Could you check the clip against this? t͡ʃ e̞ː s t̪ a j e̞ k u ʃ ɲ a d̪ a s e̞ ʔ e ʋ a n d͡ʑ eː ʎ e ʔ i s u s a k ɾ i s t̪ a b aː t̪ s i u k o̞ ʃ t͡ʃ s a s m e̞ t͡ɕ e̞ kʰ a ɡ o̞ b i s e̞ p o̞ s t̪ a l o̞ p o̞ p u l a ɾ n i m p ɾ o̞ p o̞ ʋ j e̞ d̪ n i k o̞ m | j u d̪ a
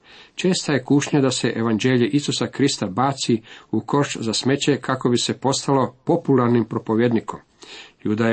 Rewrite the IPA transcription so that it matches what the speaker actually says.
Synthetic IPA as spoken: t͡ʃ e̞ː s t̪ a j e̞ k u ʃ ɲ a d̪ a s e̞ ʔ e ʋ a n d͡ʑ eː ʎ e ʔ i s u s a k ɾ i s t̪ a b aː t̪ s i u k o̞ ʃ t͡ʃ z a s m e̞ t͡ɕ e̞ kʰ a k o̞ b i s e̞ p o̞ s t̪ a l o̞ p o̞ p u l a ɾ n i m p ɾ o̞ p o̞ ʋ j e̞ d̪ n i k o̞ m | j u d̪ a